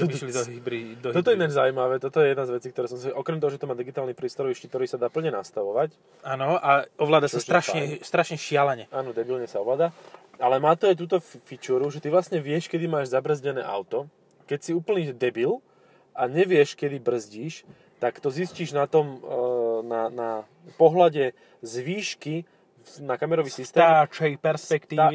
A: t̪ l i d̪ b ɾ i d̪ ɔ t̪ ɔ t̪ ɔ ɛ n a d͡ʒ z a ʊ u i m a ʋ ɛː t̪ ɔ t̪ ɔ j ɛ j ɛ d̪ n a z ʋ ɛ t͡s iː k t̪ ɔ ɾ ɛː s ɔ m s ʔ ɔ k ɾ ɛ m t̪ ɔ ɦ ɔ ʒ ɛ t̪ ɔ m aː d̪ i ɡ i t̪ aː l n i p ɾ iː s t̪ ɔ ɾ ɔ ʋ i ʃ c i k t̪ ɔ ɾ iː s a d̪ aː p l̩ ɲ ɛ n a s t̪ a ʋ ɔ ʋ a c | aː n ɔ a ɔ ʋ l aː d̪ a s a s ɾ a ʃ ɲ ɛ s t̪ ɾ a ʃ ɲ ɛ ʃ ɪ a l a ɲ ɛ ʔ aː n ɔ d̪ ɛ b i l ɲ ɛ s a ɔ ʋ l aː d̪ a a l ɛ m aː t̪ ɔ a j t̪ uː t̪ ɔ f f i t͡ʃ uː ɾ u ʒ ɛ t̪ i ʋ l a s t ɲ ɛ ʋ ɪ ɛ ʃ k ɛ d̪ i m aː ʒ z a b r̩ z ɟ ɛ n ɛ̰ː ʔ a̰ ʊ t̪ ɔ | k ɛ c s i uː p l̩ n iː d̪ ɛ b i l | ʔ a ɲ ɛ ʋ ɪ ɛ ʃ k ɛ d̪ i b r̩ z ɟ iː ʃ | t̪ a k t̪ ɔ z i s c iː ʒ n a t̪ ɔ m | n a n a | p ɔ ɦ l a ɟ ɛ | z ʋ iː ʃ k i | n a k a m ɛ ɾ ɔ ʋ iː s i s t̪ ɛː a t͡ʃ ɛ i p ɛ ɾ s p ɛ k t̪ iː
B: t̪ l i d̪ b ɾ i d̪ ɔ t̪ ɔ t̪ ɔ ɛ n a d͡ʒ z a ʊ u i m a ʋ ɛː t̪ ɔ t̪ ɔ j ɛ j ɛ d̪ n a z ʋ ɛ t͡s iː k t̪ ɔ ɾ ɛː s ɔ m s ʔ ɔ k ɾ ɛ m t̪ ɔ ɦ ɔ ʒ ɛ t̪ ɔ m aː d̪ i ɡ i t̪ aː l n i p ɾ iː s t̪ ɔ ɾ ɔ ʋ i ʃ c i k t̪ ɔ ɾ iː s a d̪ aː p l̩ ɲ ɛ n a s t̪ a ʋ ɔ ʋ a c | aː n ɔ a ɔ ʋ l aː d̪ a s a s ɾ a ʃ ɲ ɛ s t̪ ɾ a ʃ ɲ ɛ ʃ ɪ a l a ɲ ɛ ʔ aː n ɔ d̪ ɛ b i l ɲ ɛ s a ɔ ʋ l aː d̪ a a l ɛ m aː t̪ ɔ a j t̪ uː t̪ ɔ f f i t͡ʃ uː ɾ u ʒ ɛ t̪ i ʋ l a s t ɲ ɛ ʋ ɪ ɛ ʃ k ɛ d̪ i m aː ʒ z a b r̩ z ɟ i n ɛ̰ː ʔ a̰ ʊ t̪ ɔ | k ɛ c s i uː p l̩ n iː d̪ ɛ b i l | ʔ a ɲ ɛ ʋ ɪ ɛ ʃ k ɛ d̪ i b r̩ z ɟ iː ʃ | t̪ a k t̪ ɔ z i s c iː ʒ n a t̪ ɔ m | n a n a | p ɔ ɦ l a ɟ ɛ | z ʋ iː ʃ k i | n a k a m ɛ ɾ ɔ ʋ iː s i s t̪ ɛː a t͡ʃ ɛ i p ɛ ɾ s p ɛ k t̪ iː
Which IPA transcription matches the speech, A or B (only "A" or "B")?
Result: A